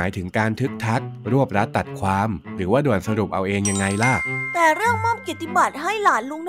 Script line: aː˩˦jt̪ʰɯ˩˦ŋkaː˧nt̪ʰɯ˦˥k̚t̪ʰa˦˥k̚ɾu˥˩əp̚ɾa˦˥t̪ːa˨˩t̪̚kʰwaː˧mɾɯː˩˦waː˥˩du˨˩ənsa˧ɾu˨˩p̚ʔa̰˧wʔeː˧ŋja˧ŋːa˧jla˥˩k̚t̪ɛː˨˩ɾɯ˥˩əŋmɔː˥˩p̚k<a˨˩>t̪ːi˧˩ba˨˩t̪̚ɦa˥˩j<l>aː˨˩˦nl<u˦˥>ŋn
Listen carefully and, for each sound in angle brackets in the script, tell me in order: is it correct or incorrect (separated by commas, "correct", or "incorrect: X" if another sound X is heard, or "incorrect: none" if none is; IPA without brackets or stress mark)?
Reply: incorrect: i˨˩, correct, correct